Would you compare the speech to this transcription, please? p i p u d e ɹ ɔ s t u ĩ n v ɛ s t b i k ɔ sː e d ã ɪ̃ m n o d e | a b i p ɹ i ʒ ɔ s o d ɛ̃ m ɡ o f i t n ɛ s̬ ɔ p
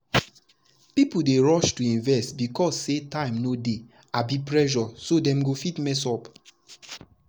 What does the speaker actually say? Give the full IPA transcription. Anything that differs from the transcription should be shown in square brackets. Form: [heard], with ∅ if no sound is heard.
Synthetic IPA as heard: p i p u d e ɹ ɔ [ʃ] t u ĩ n v ɛ s t b i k ɔ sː e [t] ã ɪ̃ m n o d e | a b i p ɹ [ɛ] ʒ ɔ s o d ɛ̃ m ɡ o f i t [m] ɛ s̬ ɔ p